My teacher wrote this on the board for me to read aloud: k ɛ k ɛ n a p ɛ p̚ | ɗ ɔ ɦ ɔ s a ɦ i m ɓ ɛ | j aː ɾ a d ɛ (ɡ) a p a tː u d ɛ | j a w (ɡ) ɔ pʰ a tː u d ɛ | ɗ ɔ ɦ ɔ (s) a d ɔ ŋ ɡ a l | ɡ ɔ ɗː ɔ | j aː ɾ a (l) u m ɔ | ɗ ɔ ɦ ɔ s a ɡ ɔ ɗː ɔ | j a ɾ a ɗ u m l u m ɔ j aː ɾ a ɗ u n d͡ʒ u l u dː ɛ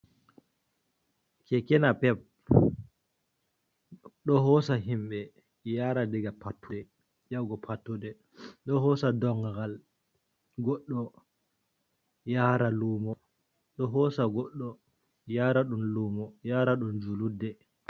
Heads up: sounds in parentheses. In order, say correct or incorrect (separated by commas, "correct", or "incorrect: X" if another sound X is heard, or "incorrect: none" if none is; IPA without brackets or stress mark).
correct, correct, correct, correct